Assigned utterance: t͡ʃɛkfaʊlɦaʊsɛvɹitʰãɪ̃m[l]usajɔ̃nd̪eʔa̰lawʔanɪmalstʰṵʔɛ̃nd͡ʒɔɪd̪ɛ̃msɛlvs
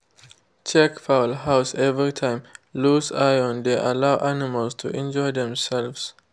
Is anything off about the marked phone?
no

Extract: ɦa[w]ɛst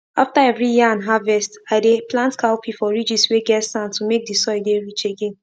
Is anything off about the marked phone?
yes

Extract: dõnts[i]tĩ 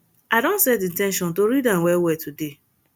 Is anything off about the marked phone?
yes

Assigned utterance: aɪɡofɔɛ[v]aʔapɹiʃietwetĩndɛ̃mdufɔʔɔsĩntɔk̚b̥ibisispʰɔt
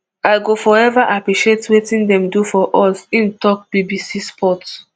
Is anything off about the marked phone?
no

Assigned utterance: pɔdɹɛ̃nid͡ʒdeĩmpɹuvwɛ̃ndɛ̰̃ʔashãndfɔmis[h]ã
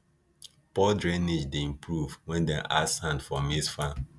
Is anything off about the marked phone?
yes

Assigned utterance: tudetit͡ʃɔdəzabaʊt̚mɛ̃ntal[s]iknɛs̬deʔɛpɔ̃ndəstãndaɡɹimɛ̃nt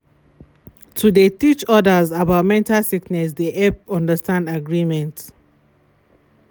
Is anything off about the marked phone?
no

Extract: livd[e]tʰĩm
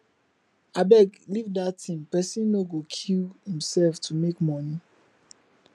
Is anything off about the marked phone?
yes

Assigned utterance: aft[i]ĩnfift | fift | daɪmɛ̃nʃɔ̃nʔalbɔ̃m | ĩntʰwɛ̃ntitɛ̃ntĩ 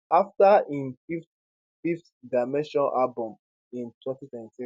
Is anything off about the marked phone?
yes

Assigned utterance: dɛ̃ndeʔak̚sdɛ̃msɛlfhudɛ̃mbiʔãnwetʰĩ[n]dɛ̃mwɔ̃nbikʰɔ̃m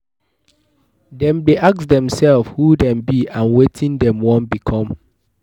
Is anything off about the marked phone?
no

